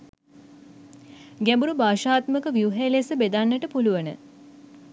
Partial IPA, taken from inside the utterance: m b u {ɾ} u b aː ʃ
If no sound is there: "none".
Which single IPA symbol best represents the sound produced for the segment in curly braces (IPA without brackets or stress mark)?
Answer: ɾ